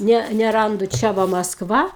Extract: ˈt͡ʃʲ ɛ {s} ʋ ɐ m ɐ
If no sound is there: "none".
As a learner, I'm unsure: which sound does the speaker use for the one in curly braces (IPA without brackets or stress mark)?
none